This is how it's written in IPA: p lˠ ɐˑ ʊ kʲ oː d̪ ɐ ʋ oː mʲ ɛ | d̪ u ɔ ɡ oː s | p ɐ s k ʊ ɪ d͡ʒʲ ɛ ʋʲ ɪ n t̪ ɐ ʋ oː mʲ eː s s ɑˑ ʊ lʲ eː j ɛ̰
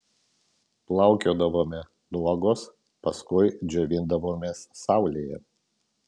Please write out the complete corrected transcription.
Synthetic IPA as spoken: p lˠ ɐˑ ʊ kʲ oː d̪ ɐ ʋ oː mʲ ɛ | d̪ u ɔ ɡ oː s | p ɐ s k ʊ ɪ d͡ʒʲ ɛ ʋʲ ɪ n d̪ ɐ ʋ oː mʲ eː s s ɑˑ ʊ lʲ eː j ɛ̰